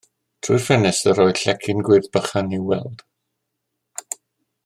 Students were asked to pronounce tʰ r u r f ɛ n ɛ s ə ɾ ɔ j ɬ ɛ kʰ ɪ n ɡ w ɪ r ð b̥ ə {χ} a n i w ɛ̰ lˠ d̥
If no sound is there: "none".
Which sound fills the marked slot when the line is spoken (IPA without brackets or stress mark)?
χ